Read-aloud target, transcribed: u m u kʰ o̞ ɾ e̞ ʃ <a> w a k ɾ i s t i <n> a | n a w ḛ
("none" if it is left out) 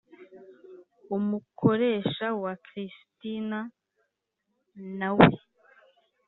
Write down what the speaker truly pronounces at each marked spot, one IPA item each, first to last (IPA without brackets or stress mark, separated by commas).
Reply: a, n